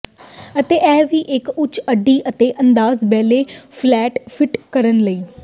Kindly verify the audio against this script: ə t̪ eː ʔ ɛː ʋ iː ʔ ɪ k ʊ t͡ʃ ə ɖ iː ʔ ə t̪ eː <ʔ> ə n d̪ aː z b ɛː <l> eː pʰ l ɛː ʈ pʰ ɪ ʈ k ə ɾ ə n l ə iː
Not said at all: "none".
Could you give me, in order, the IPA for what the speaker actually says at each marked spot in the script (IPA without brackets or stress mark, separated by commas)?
ʔ, l